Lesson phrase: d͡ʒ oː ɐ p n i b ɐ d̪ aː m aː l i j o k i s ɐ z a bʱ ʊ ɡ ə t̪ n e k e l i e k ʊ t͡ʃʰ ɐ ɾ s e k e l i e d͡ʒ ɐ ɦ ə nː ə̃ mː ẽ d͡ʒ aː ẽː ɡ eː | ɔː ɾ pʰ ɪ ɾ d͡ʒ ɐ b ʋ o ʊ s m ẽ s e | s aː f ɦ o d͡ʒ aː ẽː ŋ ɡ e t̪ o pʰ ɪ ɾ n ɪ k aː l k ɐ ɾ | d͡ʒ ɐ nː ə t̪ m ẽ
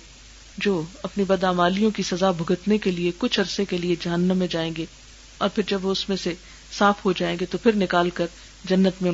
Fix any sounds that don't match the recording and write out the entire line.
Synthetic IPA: d͡ʒ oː ɐ p n i b ɐ d̪ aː m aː l i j õ k i s ɐ z a bʱ ʊ ɡ ə t̪ n e k e l i e k ʊ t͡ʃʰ ɐ ɾ s e k e l i e d͡ʒ ɐ ɦ ə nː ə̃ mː ẽ d͡ʒ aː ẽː ɡ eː | ɔː ɾ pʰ ɪ ɾ d͡ʒ ɐ b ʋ o ʊ s m ẽ s e | s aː f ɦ o d͡ʒ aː ẽː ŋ ɡ e t̪ o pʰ ɪ ɾ n ɪ k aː l k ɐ ɾ | d͡ʒ ɐ nː ə t̪ m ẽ